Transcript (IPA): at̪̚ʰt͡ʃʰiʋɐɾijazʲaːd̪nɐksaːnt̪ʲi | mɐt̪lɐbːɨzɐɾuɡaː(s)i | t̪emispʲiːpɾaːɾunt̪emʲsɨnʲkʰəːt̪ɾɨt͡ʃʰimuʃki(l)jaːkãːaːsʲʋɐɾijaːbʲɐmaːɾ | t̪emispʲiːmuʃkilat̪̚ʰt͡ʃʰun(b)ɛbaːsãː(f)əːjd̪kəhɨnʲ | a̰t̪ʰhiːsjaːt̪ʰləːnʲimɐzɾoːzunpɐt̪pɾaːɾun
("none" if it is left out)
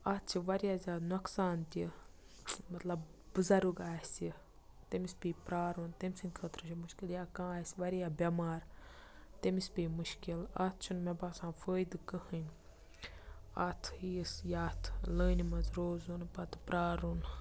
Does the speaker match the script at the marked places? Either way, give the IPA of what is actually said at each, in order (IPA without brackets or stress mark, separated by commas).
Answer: s, l, m, f